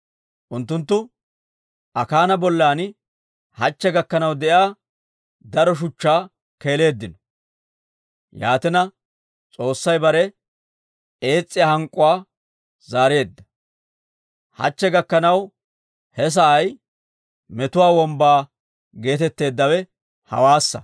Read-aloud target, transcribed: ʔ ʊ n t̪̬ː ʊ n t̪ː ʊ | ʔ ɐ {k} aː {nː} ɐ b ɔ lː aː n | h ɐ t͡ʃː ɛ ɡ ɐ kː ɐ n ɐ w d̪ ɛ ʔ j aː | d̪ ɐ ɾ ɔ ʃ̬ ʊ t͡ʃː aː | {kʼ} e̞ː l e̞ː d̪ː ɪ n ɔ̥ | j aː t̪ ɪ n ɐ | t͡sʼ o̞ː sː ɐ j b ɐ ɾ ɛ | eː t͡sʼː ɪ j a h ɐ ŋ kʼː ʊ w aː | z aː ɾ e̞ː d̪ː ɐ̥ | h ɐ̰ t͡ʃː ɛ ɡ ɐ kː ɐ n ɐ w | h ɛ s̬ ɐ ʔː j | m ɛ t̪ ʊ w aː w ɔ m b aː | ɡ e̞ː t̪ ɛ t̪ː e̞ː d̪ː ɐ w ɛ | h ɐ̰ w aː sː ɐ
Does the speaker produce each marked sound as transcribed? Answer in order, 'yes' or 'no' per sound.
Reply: yes, no, no

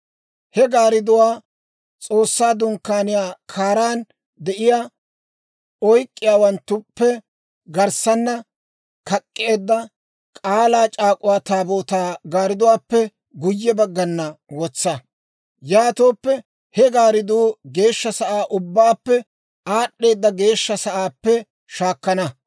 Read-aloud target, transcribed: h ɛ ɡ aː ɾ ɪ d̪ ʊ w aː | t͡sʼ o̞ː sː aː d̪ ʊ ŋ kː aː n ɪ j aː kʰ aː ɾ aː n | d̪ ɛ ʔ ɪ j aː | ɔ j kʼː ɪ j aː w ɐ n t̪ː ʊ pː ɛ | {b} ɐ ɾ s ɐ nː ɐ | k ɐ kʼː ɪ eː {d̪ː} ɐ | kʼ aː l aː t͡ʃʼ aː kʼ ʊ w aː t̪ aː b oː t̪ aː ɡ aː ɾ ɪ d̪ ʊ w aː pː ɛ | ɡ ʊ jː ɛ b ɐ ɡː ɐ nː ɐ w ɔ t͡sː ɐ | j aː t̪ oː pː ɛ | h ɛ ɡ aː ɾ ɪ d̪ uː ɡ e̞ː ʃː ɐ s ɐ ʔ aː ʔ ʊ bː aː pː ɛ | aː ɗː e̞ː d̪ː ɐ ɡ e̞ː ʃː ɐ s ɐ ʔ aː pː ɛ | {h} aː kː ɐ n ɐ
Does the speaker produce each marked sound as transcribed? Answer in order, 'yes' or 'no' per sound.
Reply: no, yes, no

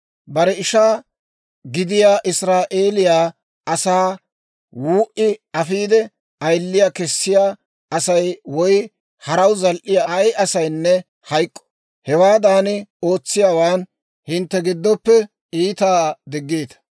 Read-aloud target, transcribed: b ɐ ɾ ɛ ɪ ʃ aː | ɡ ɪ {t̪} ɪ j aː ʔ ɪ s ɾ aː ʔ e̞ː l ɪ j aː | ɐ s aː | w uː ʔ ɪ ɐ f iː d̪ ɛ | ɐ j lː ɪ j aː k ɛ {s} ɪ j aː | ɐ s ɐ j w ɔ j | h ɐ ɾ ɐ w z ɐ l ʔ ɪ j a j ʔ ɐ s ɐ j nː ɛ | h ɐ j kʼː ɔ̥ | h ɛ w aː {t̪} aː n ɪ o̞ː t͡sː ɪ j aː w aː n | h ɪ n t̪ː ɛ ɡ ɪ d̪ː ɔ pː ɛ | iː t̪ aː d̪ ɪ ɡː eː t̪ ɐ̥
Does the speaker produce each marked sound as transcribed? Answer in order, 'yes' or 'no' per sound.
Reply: no, no, no

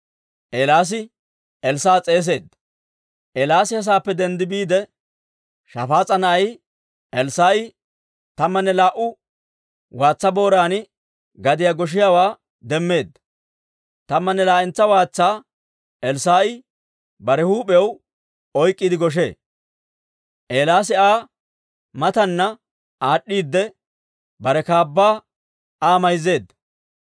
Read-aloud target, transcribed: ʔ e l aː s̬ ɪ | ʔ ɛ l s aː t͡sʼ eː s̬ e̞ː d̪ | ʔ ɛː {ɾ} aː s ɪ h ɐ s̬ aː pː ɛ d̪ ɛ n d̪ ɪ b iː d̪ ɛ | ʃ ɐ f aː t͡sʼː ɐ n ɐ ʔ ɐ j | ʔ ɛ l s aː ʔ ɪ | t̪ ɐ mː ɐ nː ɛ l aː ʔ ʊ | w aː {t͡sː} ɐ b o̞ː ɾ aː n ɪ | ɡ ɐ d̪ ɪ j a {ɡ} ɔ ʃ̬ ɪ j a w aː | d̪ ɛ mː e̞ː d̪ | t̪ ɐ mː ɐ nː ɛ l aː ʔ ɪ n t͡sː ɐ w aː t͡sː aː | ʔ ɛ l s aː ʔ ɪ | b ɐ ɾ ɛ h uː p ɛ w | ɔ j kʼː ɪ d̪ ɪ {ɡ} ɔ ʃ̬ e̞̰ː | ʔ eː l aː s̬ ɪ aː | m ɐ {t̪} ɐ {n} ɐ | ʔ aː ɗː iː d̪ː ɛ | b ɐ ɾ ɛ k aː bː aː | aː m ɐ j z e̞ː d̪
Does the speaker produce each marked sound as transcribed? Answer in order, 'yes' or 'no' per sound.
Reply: no, yes, yes, yes, yes, no

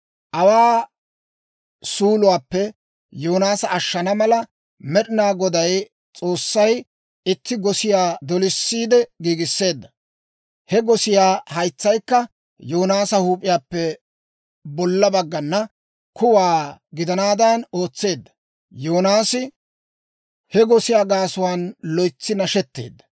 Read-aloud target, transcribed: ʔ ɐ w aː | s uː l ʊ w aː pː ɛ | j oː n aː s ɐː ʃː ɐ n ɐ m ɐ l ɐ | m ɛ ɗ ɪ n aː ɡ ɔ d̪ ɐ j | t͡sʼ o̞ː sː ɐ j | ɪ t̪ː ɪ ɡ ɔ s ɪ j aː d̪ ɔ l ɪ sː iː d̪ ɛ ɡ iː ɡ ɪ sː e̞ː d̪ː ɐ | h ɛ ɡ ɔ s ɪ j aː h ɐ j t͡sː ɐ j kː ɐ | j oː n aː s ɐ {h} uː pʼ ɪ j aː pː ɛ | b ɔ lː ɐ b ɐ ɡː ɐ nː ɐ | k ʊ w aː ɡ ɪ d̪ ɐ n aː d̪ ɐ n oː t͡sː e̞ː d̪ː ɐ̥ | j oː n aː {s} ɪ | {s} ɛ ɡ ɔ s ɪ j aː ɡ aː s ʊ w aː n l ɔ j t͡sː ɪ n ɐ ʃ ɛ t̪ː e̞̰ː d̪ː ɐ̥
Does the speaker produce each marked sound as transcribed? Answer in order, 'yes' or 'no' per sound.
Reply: yes, yes, no

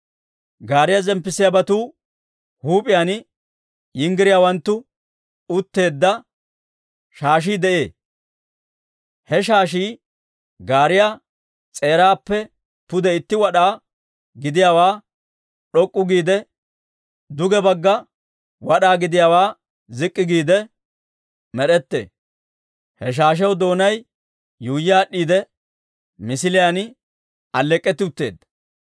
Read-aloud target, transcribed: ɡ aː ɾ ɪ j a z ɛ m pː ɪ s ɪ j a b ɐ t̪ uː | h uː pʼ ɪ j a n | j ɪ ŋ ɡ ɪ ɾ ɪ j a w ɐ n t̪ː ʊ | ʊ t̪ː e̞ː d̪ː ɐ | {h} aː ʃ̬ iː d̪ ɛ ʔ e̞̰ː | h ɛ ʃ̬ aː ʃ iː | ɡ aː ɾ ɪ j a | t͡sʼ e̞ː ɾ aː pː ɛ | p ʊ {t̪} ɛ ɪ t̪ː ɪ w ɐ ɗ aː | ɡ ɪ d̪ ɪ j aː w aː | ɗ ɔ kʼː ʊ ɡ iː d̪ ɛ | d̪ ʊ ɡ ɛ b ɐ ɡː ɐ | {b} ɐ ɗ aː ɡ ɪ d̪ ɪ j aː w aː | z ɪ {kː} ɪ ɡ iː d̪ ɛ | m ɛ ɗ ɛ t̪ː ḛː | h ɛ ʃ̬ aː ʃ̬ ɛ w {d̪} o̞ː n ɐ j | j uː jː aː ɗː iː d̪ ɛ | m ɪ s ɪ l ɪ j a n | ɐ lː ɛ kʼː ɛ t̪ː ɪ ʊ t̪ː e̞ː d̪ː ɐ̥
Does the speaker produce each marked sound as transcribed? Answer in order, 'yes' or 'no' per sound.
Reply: no, no, no, no, yes

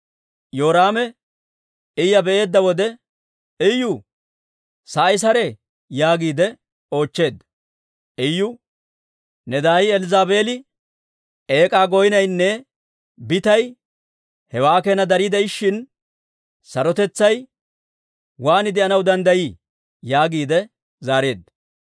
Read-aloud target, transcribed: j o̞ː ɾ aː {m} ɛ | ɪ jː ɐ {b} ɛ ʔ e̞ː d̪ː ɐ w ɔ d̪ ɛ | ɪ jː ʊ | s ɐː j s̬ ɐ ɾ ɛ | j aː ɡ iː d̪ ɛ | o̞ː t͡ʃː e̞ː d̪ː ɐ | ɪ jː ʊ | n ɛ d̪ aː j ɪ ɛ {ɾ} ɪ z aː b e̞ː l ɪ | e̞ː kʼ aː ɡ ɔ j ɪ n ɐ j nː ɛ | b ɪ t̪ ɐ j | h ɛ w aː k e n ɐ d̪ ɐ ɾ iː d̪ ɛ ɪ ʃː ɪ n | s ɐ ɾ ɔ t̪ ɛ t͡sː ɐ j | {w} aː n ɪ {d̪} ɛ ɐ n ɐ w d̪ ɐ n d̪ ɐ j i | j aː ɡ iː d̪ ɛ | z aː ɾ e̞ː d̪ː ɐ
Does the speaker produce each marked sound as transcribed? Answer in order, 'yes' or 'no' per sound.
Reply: yes, yes, no, yes, yes

